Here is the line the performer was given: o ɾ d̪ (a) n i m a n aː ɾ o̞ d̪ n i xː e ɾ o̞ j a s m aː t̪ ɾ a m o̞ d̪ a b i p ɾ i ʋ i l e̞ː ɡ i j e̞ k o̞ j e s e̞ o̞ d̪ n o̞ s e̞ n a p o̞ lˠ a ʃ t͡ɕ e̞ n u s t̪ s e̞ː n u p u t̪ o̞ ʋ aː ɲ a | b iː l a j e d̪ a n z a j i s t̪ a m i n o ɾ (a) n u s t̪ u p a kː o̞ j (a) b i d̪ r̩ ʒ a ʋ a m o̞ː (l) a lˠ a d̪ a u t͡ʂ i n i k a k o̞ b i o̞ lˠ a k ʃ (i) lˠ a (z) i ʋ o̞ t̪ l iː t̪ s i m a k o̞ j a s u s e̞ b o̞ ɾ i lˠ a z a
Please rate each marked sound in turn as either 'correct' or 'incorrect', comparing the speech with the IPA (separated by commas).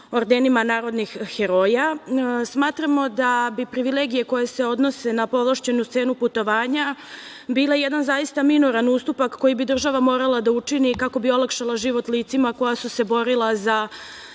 incorrect, correct, incorrect, incorrect, incorrect, incorrect